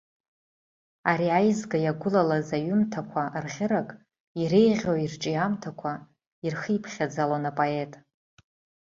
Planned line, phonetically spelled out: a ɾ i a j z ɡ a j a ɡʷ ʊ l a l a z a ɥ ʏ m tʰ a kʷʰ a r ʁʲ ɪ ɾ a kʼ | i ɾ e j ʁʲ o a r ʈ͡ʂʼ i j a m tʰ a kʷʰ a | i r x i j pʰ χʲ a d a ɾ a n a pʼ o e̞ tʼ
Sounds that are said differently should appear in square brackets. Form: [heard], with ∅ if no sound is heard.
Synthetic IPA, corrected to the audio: a ɾ i a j z ɡ a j a ɡʷ ʊ l a l a z a ɥ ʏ m tʰ a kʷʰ a r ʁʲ ɪ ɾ a kʼ | i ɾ e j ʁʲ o [i] r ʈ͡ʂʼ i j a m tʰ a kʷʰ a | i r x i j pʰ χʲ a [d͡z] a [l] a n a pʼ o e̞ tʼ

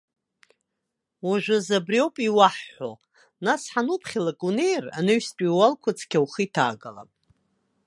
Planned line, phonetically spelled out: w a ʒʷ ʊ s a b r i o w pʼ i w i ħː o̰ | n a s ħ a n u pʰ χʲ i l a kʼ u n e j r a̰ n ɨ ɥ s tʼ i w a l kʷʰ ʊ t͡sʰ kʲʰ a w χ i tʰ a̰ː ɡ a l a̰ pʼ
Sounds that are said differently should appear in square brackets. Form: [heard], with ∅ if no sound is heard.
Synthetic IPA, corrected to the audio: w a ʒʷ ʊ [z] a b r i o w pʼ i w [a] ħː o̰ | n a s ħ a n u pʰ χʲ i l a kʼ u n e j r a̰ n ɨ ɥ s tʼ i w a l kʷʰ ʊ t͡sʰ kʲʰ a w χ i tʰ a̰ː ɡ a l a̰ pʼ

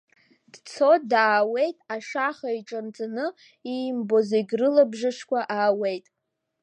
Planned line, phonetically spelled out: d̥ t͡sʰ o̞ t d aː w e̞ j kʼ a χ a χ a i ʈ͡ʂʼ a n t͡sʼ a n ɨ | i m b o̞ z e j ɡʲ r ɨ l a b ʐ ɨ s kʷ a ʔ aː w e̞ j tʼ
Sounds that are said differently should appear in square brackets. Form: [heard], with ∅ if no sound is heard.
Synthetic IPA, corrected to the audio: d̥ t͡sʰ o̞ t d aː w e̞ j [tʼ] a [ʂ] a χ a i ʈ͡ʂʼ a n t͡sʼ a n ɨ | i m b o̞ z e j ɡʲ r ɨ l a b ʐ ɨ [ʂ] kʷ a ʔ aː w e̞ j tʼ

